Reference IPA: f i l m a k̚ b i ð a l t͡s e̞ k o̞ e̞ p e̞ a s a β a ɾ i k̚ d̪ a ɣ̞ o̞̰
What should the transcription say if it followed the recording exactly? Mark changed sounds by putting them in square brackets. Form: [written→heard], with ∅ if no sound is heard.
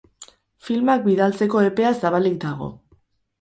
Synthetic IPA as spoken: f i l m a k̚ b i ð a l t͡s e̞ k o̞ e̞ p e̞ a s a β a [ɾ→l] i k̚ d̪ a ɣ̞ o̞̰

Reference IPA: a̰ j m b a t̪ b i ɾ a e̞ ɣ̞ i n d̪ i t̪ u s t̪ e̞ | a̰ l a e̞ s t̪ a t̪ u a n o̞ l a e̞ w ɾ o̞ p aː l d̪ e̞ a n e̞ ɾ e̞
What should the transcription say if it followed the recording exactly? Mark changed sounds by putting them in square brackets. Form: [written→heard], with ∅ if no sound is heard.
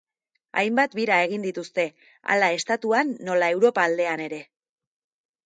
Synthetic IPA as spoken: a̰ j m b a t̪ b i ɾ a e̞ ɣ̞ i n d̪ i t̪ u s t̪ e̞ | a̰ l a e̞ s t̪ a t̪ u a [n→nː] o̞ l a e̞ w ɾ o̞ p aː l d̪ e̞ a n e̞ ɾ e̞

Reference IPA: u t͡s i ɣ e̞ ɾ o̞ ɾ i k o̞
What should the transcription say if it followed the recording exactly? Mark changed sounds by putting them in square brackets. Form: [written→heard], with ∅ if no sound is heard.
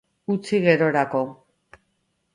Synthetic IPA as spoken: u t͡s i ɣ e̞ ɾ o̞ ɾ [i→a] k o̞

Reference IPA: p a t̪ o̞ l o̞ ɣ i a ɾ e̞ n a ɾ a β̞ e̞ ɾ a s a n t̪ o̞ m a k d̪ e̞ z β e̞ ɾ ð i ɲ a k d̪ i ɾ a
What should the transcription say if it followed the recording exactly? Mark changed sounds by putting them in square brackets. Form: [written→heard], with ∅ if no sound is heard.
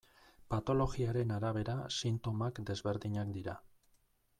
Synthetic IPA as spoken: p a t̪ o̞ l o̞ ɣ i a ɾ e̞ n a ɾ a β̞ e̞ ɾ a s [a→i] n t̪ o̞ m a k d̪ e̞ z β e̞ ɾ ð i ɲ a k d̪ i ɾ a

